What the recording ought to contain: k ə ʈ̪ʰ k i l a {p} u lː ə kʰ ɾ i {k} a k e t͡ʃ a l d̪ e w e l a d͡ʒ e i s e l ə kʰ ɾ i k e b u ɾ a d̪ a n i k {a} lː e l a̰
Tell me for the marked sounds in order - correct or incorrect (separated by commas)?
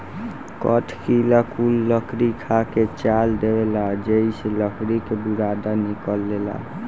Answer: incorrect, incorrect, incorrect